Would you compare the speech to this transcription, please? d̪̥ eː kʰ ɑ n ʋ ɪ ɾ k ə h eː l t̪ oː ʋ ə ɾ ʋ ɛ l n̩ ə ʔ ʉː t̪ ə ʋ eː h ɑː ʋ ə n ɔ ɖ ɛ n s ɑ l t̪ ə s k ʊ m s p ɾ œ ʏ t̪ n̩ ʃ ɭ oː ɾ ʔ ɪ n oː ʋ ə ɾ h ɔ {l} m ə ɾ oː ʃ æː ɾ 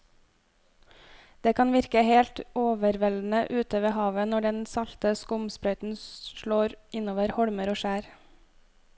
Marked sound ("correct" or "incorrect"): incorrect